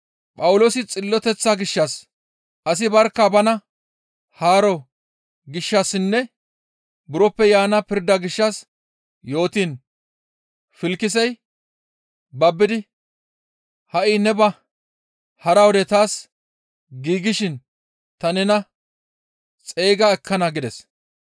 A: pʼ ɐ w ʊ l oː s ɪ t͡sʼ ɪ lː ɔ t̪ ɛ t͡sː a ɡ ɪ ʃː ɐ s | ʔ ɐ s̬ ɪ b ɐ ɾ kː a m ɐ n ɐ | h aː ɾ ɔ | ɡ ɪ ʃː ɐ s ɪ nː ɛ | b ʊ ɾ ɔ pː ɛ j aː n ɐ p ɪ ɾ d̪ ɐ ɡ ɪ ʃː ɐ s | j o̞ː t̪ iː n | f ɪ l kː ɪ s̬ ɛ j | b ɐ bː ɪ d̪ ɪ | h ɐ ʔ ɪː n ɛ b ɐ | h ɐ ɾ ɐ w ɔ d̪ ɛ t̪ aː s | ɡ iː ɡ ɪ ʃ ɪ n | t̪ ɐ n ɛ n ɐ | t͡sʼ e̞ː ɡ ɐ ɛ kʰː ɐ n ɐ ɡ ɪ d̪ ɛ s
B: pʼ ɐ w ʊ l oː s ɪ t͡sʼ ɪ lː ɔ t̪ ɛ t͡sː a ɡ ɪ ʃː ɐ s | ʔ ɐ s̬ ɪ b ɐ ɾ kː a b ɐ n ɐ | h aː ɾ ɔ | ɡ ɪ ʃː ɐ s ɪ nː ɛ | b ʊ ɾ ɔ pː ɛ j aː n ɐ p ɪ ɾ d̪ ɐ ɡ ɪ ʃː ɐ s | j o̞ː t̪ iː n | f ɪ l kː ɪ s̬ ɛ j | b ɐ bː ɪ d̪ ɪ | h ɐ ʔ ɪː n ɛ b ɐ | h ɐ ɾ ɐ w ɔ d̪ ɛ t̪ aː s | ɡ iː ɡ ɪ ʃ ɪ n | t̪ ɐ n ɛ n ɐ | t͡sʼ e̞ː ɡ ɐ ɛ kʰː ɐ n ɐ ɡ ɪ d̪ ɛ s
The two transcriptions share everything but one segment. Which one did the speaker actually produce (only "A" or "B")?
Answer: B